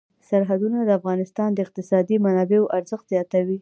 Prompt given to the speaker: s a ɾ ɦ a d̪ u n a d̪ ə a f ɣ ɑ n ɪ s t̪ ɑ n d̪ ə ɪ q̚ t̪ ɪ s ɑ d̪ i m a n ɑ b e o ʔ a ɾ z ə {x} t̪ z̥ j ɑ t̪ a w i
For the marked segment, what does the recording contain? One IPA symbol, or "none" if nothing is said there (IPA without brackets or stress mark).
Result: x